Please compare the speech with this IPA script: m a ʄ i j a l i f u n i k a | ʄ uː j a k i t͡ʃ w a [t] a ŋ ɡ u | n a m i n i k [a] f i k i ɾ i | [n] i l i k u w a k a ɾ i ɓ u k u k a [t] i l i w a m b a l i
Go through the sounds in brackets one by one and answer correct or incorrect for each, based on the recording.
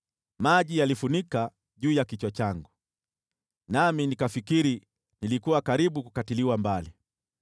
incorrect, correct, correct, correct

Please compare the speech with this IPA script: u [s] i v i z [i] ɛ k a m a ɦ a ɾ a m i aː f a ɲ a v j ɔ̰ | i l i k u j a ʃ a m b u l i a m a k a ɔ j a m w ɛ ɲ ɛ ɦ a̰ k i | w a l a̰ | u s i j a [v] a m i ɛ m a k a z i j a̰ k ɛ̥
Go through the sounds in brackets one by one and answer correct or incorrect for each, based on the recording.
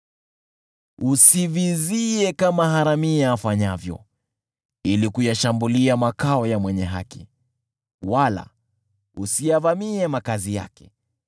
correct, correct, correct

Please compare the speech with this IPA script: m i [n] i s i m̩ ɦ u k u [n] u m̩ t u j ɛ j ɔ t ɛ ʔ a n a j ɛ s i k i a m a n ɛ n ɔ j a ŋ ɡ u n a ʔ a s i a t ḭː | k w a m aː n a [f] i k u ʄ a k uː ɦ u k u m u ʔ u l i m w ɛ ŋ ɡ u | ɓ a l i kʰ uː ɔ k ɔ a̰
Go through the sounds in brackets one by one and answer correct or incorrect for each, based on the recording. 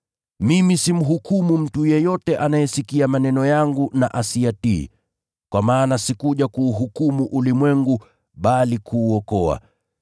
incorrect, incorrect, incorrect

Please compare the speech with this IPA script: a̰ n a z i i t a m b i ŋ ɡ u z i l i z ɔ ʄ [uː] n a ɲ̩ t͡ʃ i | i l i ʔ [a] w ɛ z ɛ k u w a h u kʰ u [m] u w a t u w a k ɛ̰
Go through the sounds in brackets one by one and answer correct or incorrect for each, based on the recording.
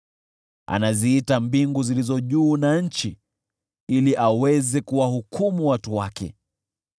correct, correct, correct

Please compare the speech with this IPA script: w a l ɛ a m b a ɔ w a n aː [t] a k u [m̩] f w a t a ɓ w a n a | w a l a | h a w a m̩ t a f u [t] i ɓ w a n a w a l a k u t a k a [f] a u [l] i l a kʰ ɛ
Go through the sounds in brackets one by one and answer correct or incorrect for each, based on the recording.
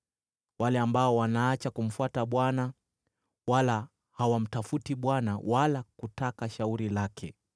incorrect, correct, correct, incorrect, incorrect

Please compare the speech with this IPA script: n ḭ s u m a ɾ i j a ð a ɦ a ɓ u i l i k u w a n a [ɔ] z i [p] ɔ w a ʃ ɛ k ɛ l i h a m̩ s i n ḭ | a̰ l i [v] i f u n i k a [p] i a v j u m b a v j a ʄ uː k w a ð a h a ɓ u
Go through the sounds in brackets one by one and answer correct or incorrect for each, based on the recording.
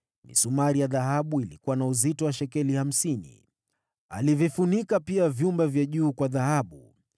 incorrect, incorrect, correct, correct

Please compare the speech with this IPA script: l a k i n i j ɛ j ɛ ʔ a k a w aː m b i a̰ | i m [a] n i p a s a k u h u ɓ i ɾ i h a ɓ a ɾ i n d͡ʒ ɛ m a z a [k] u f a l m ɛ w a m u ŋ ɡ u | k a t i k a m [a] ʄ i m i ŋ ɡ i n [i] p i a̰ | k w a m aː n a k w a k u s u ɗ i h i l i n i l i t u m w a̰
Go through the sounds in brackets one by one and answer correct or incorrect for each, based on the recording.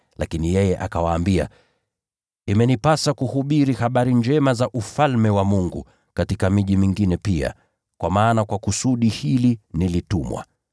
incorrect, incorrect, incorrect, incorrect

